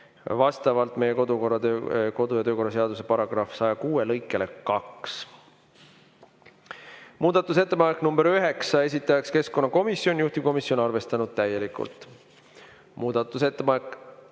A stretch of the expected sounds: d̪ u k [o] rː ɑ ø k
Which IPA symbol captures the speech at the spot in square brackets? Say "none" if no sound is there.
o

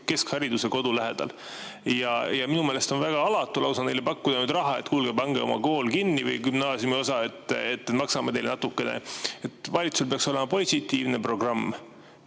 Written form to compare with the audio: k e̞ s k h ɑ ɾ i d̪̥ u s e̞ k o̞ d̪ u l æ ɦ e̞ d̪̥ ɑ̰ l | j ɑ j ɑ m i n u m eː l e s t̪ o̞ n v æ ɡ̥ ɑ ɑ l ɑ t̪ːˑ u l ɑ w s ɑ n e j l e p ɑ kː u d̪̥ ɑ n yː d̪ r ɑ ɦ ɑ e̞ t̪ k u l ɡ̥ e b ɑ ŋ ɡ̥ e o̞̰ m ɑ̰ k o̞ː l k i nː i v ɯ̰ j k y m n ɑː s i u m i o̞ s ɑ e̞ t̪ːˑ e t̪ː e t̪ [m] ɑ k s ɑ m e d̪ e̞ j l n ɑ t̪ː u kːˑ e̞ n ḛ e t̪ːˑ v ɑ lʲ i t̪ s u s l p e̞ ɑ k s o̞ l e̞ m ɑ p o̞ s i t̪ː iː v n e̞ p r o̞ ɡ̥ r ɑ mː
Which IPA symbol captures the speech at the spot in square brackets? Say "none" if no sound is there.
m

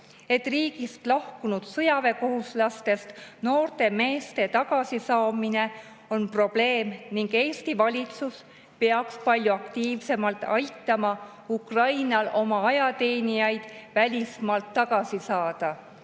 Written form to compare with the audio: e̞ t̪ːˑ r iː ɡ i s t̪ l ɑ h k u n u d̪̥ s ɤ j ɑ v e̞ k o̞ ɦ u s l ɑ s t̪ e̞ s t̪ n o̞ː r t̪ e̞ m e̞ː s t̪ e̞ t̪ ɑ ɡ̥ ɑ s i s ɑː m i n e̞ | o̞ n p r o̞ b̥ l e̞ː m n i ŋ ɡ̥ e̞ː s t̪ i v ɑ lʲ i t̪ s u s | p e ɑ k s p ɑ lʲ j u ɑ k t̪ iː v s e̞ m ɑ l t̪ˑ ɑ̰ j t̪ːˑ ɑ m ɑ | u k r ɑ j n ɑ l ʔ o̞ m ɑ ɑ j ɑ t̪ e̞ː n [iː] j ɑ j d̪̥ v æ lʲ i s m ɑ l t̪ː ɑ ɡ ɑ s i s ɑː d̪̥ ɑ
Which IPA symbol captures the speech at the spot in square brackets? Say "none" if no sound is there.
i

